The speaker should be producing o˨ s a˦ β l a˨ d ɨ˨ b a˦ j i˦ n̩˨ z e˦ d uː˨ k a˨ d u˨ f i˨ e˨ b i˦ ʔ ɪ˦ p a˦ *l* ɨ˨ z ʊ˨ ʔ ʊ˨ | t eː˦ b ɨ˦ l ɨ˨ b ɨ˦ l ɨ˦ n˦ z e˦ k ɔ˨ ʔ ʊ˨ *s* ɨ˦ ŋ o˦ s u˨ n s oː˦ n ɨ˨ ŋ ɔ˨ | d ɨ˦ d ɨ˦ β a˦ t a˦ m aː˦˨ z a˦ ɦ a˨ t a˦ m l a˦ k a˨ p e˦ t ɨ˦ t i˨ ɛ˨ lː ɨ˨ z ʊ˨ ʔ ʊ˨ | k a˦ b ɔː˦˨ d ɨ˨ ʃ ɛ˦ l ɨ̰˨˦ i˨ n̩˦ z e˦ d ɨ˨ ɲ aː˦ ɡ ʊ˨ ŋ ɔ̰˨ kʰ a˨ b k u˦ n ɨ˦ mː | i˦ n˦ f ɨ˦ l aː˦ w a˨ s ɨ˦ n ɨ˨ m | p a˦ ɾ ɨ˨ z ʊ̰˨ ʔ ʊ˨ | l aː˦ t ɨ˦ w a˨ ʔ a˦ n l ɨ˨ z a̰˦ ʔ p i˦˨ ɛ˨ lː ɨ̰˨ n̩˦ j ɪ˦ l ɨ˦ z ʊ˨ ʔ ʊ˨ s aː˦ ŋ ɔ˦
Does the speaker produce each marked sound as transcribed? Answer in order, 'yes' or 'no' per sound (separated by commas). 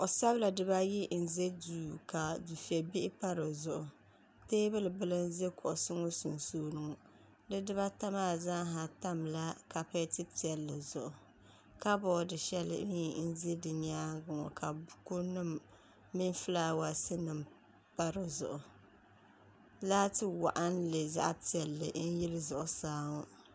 no, yes